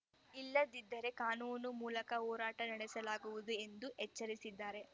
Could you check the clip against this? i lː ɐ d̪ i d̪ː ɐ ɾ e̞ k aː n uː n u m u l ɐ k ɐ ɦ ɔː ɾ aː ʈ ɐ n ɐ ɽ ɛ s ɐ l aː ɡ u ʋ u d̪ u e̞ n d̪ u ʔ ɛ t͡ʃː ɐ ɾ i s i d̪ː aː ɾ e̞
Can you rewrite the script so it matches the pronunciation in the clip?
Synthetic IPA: i lː ɐ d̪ i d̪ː ɐ ɾ e̞ k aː n uː n u m uː l ɐ k ɐ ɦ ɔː ɾ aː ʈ ɐ n ɐ ɽ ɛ s ɐ l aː ɡ u ʋ u d̪ u e̞ n d̪ u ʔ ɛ t͡ʃː ɐ ɾ i s i d̪ː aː ɾ e̞

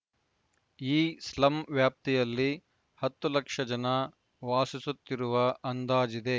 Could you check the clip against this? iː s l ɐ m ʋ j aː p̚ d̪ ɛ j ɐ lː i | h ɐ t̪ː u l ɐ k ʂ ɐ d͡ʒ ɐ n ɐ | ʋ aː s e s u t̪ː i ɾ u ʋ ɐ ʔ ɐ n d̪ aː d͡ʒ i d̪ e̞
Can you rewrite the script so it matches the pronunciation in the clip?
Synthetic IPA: iː s l ɐ m ʋ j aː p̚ t̪ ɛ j ɐ lː i | h ɐ t̪ː u l ɐ k ʂ ɐ d͡ʒ ɐ n ɐ | ʋ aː s i s u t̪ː i ɾ u ʋ ɐ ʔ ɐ n d̪ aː d͡ʒ i d̪ e̞

